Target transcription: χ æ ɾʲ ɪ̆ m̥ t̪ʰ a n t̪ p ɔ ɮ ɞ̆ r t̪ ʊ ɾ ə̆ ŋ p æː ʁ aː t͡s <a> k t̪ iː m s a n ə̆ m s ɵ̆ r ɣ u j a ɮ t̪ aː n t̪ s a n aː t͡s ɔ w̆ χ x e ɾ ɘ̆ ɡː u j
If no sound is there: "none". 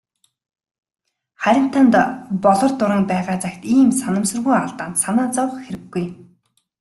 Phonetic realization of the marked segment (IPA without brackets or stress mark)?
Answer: a